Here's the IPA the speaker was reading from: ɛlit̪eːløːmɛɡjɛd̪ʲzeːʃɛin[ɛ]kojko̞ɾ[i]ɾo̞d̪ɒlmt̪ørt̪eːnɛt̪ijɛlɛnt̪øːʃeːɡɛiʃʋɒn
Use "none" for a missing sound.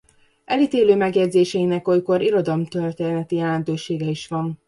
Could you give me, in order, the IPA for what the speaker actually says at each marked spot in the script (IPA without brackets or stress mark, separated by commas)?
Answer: ɛ, i